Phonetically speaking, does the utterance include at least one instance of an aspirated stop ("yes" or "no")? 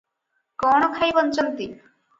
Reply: yes